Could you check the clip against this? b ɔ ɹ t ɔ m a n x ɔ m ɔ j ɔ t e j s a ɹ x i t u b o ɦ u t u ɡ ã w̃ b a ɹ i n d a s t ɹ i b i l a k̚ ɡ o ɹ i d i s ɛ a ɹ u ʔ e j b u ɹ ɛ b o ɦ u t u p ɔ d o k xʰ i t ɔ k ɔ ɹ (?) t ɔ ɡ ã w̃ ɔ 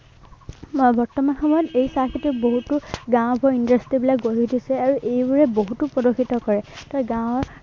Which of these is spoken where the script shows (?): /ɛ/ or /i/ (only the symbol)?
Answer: ɛ